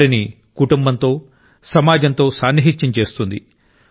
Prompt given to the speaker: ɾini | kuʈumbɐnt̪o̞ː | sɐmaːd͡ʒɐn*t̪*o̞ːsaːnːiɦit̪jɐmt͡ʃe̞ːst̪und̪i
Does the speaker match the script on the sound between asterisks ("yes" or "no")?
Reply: yes